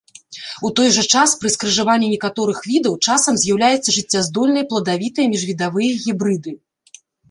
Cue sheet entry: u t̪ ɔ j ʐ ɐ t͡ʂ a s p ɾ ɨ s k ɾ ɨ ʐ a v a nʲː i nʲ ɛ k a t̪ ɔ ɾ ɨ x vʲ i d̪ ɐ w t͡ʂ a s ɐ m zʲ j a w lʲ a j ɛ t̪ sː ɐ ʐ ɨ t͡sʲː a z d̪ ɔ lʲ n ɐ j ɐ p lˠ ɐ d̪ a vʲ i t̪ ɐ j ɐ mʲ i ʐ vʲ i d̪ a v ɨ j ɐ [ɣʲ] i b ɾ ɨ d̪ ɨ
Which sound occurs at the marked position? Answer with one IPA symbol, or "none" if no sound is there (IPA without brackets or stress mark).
ɣʲ